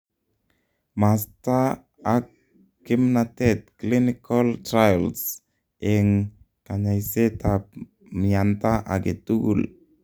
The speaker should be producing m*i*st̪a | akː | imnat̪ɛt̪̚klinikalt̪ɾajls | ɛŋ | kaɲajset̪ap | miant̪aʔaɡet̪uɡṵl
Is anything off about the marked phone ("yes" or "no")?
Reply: yes